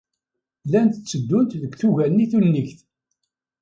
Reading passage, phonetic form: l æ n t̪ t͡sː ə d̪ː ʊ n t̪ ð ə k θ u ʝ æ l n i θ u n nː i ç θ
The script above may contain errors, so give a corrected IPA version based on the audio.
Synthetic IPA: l æ n t̪ t͡sː ə d̪ː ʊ n t̪ ð ə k θ u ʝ æ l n i θ u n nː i ç θ